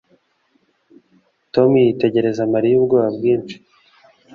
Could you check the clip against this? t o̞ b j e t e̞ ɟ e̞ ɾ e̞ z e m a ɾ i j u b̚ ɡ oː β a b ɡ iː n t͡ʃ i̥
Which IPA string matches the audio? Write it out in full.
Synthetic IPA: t o̞ m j i t e̞ ɟ e̞ ɾ e̞ z a m a ɾ i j u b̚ ɡ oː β a b ɡ iː n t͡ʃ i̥

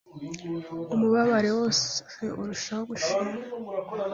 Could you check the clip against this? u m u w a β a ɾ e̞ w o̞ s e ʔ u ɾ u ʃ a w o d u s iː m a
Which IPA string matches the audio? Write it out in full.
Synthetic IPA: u m u β a β a ɾ e̞ w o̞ s e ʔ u ɾ u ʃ a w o ɡ u ʃ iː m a

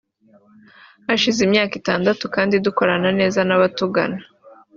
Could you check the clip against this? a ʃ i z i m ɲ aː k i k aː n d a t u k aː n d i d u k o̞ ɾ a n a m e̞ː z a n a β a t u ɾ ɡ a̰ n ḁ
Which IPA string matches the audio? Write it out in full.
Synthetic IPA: a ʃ i z i m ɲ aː k i t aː n d a t u k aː n d i d u k o̞ ɾ a n a n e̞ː z a n a β a t u ɡ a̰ n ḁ

